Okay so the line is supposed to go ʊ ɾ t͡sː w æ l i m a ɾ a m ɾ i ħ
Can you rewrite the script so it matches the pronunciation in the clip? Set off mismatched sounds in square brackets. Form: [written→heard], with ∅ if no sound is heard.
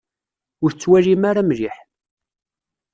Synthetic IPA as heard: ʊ ɾ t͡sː w æ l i m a ɾ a m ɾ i ħ